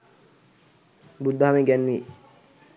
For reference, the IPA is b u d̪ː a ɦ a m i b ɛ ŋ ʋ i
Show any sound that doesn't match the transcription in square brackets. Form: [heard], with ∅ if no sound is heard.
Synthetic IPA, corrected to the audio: b u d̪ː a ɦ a m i [ɡ] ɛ [n] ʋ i